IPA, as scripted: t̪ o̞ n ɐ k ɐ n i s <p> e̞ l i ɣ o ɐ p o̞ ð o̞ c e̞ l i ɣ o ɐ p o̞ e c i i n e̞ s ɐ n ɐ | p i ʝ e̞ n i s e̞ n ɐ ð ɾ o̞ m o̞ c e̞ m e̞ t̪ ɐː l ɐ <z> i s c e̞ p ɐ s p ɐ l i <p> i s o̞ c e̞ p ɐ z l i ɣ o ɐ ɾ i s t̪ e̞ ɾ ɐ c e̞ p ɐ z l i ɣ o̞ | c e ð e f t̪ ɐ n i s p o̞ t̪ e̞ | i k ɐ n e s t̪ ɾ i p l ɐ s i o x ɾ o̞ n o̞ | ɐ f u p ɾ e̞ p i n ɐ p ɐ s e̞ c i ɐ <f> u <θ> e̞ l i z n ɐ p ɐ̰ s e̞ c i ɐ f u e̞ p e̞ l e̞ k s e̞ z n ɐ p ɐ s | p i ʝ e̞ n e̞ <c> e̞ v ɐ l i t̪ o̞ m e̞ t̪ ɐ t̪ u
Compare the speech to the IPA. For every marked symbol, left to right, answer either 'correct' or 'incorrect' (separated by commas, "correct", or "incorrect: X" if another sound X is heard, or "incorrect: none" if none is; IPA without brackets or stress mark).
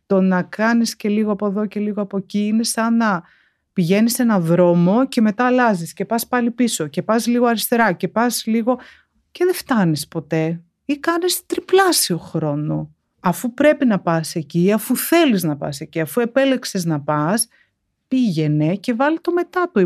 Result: incorrect: c, correct, correct, correct, correct, correct